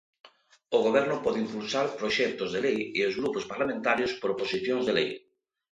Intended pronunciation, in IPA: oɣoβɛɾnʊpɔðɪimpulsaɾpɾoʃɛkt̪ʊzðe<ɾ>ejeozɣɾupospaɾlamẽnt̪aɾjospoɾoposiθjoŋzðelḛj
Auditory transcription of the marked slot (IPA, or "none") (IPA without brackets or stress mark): l